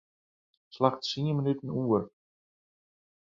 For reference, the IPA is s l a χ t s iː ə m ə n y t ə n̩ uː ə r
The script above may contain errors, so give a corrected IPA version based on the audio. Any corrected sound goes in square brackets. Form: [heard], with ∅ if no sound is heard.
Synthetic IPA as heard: s l a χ t s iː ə m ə n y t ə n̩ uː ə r